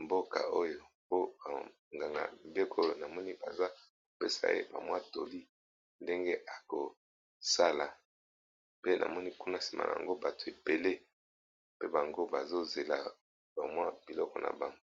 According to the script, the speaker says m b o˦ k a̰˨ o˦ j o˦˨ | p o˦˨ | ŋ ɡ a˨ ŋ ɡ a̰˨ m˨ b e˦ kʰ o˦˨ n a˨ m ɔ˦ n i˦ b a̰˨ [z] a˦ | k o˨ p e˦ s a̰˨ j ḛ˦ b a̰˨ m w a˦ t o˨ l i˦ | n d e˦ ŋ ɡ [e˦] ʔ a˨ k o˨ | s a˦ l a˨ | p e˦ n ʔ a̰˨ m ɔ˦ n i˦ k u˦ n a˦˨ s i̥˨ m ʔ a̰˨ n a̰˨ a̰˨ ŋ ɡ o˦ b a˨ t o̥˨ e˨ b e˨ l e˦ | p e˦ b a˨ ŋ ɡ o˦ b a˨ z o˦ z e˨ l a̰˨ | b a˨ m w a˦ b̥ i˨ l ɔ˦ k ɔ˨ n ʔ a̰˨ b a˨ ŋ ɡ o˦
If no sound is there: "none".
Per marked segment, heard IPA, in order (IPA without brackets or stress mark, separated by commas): z, e˦